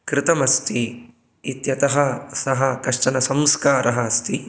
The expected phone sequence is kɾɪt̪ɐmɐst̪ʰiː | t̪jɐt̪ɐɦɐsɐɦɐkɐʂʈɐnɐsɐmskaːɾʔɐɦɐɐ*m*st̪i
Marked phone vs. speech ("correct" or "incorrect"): incorrect